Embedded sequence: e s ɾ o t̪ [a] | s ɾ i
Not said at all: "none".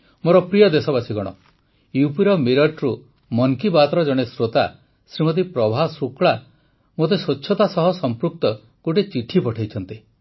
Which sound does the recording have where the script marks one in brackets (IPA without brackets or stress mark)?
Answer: a